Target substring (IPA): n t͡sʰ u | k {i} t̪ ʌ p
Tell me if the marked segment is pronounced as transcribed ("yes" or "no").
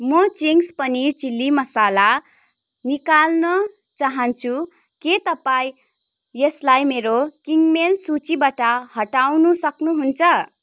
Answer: no